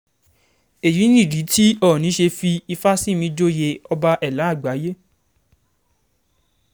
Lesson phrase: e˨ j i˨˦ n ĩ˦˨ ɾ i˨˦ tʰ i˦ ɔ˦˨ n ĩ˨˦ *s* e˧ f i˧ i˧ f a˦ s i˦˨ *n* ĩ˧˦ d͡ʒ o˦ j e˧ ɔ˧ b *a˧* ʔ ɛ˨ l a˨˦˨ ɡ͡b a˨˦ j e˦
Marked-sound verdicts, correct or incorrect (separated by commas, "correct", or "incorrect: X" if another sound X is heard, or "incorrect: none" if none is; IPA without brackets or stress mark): incorrect: ʃ, incorrect: m, correct